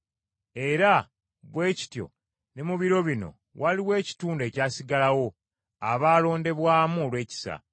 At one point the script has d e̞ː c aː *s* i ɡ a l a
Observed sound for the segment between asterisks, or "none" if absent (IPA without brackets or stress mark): s